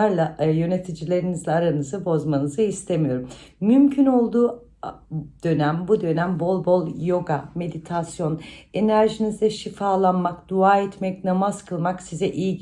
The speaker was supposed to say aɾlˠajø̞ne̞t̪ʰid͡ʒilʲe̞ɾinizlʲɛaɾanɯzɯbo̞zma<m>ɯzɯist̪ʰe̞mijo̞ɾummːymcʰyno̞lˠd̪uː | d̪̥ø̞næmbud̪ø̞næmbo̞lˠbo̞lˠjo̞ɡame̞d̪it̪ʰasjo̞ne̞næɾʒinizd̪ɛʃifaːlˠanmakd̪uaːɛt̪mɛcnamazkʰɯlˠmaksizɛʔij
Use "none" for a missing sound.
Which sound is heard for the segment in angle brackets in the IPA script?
n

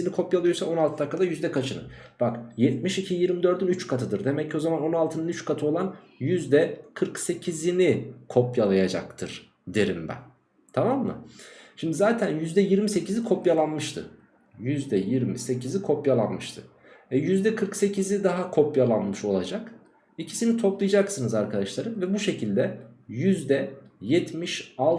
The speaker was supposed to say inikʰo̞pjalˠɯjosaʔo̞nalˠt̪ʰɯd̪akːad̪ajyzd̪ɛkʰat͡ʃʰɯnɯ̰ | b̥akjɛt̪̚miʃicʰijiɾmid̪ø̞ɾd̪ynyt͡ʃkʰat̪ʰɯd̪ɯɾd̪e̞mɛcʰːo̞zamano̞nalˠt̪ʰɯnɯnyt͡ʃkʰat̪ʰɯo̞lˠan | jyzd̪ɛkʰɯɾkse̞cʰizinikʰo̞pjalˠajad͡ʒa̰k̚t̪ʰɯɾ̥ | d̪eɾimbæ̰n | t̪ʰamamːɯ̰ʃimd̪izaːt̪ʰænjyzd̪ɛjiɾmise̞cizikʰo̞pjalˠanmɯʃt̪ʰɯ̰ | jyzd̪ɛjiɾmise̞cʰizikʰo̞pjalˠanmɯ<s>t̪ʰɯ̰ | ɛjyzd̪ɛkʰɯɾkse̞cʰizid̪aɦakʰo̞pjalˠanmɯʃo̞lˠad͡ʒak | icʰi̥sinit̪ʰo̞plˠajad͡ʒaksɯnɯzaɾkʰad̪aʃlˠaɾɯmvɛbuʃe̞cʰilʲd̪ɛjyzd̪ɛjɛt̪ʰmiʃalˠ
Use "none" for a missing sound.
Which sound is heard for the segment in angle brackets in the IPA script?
ʃ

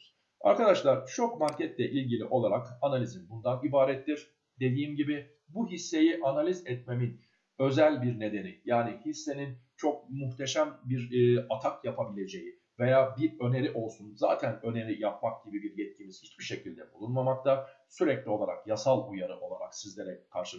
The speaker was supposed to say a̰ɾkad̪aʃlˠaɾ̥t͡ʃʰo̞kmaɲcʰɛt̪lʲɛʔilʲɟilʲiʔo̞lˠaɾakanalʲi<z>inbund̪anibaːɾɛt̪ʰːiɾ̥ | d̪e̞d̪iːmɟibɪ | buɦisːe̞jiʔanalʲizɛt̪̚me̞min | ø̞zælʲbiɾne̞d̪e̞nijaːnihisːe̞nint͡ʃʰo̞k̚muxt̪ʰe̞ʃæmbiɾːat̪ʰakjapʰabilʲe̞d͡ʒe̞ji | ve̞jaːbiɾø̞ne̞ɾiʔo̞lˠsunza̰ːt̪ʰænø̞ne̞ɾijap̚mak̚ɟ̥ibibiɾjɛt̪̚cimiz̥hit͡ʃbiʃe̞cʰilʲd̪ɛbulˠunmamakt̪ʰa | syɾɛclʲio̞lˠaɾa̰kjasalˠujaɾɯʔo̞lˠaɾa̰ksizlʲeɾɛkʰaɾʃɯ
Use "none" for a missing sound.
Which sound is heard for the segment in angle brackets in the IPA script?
z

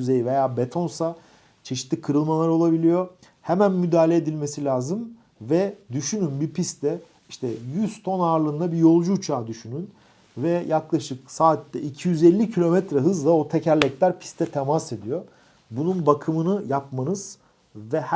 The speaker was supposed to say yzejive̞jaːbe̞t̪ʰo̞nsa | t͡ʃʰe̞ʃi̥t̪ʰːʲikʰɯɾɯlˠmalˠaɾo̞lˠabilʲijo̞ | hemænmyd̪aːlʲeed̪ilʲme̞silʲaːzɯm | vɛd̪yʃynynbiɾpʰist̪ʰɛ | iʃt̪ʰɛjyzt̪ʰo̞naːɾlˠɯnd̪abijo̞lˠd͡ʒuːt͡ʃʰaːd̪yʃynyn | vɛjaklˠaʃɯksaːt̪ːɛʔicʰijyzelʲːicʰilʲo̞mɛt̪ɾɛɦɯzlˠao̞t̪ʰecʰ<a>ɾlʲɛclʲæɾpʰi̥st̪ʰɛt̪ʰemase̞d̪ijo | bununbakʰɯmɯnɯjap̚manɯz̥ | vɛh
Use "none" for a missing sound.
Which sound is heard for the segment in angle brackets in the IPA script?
æ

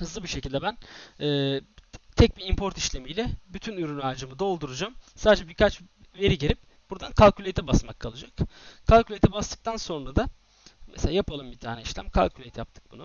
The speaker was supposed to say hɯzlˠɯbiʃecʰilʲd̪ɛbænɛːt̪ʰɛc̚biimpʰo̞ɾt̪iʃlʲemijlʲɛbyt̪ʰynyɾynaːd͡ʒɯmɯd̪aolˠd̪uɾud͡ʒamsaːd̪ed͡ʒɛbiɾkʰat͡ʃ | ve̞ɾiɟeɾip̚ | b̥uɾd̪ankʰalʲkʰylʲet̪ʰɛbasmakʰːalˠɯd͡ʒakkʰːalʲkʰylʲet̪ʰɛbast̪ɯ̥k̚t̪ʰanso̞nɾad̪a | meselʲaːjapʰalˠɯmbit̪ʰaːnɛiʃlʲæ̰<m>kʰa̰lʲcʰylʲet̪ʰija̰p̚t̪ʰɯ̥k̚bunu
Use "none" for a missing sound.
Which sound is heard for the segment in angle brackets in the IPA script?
m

